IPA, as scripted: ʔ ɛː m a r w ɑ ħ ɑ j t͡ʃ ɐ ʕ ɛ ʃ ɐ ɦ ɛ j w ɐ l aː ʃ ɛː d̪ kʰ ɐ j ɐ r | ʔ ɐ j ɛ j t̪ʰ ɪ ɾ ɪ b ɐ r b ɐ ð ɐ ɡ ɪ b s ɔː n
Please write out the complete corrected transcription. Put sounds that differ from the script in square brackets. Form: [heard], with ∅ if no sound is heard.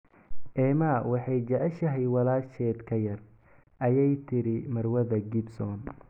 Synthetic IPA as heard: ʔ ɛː m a [∅] w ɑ ħ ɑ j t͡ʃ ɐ ʕ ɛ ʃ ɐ ɦ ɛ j w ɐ l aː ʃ ɛː d̪ kʰ ɐ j ɐ r | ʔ ɐ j ɛ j t̪ʰ ɪ ɾ ɪ [m] ɐ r [w] ɐ ð ɐ ɡ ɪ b s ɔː n